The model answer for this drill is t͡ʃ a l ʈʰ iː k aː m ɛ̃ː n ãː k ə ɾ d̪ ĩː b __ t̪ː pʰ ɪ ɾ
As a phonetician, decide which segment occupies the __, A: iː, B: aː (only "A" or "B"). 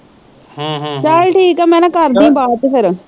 B